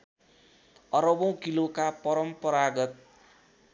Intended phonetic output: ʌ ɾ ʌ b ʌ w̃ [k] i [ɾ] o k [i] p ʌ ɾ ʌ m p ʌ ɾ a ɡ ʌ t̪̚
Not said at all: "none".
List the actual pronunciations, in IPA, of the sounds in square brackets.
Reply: k, l, a

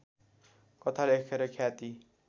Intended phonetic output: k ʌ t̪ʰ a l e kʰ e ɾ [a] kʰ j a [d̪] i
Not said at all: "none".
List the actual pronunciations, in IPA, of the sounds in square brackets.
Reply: ʌ, t̪

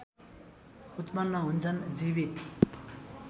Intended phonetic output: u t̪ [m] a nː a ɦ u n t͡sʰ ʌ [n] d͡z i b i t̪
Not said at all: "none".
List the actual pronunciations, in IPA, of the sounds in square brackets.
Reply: m, n

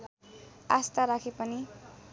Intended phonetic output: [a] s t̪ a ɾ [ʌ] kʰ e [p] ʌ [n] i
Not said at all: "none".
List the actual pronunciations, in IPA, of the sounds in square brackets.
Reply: a, a, p, n

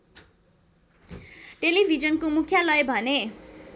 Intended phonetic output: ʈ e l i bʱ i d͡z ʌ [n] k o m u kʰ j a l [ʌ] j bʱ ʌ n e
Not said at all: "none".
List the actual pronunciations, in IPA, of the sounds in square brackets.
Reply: n, ʌ

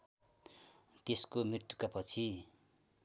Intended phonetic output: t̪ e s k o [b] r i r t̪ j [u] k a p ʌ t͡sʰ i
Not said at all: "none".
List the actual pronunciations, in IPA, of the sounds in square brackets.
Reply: m, u

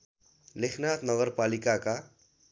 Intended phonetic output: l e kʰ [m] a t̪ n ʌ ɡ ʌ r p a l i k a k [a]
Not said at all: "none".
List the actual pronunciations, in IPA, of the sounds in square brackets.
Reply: n, a

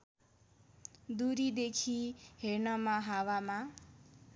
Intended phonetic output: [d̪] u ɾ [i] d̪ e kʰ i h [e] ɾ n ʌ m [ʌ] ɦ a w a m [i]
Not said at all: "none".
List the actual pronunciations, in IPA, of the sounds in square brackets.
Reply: d̪, i, e, a, a

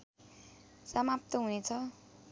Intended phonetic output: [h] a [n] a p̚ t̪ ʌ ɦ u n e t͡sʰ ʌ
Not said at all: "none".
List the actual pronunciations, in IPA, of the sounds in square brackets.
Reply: s, m

